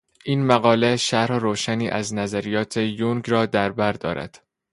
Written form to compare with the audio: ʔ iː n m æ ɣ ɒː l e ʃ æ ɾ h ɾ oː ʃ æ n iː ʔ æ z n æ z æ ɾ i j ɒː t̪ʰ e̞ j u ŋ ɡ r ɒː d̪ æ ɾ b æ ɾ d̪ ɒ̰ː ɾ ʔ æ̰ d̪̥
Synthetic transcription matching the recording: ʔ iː n m æ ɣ ɒː l e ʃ æ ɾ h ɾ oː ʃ æ n iː ʔ æ z n æ z æ ɾ i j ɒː t̪ʰ e̞ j u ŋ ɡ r ɒː d̪ æ ɾ b æ ɾ d̪ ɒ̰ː ɾ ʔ æ̰ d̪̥